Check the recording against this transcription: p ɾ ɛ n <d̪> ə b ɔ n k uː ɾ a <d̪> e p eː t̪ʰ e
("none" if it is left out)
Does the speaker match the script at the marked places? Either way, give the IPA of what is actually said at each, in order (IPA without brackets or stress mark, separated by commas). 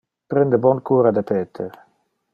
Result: d̪, d̪